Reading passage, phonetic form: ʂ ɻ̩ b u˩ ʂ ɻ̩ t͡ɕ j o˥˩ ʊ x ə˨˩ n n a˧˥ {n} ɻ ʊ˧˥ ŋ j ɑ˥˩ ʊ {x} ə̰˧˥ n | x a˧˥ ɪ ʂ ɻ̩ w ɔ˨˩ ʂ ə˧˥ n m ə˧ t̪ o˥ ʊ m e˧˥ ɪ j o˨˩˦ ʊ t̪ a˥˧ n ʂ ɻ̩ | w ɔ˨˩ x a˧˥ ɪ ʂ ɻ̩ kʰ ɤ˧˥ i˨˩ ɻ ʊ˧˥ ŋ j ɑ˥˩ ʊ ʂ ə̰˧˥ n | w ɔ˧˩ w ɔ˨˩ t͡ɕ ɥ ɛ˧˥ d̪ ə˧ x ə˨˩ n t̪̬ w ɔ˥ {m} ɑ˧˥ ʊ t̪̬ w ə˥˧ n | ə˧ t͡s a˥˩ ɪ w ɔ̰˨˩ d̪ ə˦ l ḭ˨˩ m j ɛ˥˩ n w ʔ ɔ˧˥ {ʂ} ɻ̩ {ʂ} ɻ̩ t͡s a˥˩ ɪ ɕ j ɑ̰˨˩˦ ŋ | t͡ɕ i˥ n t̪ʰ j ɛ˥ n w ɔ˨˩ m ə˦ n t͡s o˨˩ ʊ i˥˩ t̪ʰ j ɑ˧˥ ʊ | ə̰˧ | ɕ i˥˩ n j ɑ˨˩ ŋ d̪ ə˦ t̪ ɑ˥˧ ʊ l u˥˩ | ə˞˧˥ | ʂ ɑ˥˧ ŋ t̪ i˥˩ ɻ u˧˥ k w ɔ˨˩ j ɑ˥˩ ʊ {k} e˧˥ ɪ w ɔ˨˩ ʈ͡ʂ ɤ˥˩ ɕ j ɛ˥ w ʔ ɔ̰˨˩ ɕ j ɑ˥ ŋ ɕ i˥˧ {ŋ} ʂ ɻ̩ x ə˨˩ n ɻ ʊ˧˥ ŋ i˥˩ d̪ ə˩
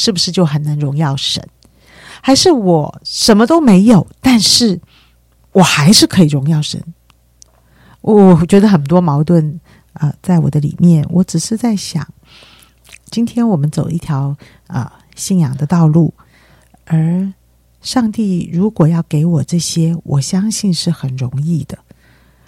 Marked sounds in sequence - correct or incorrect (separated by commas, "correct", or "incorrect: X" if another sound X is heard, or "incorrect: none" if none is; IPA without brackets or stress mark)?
incorrect: ŋ, incorrect: ʂ, correct, incorrect: ʈ͡ʂ, correct, correct, incorrect: n